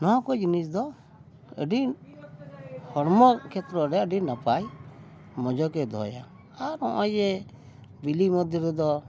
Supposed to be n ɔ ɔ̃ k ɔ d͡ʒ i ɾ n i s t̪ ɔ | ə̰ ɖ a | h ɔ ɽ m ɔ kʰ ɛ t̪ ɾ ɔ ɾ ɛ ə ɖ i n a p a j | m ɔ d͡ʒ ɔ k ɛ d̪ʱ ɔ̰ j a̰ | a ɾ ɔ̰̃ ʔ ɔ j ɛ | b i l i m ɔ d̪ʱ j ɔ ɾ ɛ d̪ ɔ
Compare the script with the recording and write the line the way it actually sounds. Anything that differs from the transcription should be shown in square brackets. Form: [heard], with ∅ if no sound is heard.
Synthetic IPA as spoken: n ɔ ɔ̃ k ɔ d͡ʒ i [∅] n i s [d̪] ɔ | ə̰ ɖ [i] | h ɔ ɽ m ɔ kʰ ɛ t̪ ɾ ɔ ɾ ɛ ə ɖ i n a p a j | m ɔ d͡ʒ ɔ k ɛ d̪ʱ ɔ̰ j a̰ | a ɾ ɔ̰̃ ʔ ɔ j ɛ | b i l i m ɔ d̪ʱ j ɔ ɾ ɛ d̪ ɔ